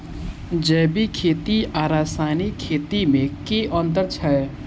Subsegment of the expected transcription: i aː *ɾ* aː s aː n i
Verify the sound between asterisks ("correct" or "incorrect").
correct